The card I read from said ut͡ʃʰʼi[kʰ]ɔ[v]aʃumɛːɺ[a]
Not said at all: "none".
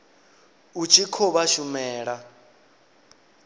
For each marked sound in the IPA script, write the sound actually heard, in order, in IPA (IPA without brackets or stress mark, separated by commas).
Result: kʰ, β, a